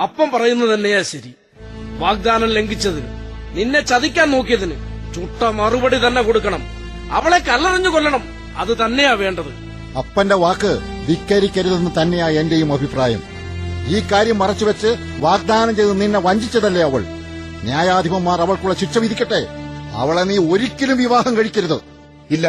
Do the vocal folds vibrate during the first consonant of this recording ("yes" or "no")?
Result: no